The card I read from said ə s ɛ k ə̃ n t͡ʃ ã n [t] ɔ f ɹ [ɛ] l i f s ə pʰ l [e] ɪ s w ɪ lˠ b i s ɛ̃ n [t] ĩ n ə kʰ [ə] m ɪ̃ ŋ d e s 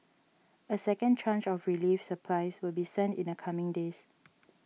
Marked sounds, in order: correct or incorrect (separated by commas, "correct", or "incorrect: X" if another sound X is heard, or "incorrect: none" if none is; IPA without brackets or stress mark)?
incorrect: t͡ʃ, incorrect: i, incorrect: a, correct, incorrect: a